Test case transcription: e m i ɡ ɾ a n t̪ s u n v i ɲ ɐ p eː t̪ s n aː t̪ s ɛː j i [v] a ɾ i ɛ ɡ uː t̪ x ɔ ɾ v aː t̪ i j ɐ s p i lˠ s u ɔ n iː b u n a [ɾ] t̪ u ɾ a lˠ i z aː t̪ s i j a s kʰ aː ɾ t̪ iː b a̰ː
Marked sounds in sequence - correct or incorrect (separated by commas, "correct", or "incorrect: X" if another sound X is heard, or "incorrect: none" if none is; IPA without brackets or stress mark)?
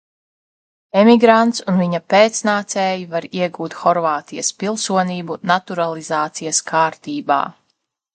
correct, incorrect: none